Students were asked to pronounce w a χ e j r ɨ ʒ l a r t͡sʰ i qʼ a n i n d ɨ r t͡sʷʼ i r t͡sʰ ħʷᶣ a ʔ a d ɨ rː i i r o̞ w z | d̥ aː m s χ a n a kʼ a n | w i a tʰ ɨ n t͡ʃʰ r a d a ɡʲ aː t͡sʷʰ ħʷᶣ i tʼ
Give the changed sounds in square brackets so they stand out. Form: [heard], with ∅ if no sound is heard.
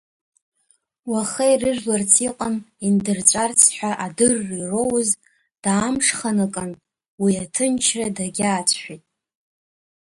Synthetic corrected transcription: w a χ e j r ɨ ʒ l a r t͡sʰ i qʼ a n i n d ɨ r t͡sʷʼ [a] r t͡sʰ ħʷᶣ a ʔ a d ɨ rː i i r o̞ w z | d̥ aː m [ʂ] χ a n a kʼ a n | w i a tʰ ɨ n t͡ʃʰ r a d a ɡʲ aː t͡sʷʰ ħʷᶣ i tʼ